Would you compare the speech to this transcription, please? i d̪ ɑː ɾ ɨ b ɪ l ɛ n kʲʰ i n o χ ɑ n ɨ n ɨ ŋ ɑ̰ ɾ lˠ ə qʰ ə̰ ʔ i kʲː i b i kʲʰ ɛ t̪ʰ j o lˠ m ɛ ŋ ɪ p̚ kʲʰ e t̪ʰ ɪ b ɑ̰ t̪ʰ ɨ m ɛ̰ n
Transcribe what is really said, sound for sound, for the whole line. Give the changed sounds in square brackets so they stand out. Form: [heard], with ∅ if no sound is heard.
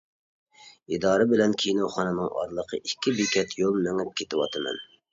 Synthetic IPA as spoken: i d̪ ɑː ɾ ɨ b ɪ l ɛ n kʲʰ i n o χ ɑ n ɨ n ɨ ŋ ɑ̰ ɾ lˠ ə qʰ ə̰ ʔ i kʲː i b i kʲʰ ɛ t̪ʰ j o lˠ m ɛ ŋ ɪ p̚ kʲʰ e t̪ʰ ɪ [w] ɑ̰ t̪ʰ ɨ m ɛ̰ n